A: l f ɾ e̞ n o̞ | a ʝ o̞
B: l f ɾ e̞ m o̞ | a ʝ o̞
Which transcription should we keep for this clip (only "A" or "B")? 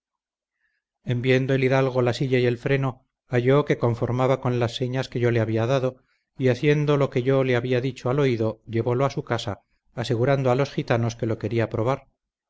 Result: A